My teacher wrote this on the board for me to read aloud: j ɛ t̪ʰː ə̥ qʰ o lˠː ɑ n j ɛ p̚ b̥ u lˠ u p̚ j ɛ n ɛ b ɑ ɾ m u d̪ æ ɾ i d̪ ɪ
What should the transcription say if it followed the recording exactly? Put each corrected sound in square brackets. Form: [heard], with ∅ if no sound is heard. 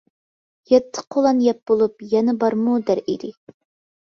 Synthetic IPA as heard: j ɛ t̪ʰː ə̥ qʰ o [lˠ] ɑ n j ɛ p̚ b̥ [o] lˠ u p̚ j ɛ n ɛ b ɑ ɾ m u d̪ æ ɾ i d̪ ɪ